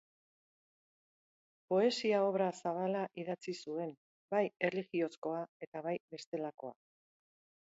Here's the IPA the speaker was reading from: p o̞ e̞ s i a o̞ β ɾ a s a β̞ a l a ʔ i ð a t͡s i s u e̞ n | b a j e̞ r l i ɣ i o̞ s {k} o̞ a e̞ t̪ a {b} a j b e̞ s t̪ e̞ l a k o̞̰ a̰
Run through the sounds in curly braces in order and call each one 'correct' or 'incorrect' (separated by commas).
correct, incorrect